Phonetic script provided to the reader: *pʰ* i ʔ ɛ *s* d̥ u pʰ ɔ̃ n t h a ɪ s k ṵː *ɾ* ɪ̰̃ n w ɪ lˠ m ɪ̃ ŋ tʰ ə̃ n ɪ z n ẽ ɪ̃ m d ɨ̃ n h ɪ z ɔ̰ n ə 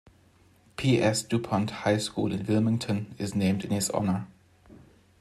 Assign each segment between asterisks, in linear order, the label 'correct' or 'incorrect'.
correct, correct, incorrect: l

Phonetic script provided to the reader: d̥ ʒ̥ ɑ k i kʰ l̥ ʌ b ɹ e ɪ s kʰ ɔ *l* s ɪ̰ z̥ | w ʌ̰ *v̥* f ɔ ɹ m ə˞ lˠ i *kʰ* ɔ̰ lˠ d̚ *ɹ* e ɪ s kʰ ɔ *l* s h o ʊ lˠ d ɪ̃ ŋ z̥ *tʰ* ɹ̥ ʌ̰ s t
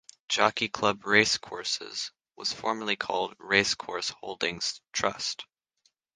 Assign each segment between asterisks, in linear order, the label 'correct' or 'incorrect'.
incorrect: ɹ, incorrect: z̥, correct, correct, incorrect: ɹ, correct

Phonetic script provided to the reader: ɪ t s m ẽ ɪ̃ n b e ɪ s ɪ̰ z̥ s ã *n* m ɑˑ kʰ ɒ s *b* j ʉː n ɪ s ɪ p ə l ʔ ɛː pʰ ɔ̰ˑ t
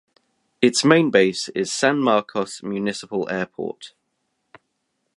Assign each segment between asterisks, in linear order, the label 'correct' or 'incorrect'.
correct, incorrect: m

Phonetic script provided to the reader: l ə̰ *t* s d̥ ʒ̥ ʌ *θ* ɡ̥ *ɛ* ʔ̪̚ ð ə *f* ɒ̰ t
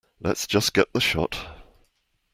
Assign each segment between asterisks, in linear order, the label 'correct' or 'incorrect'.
correct, incorrect: s, correct, incorrect: ʃ

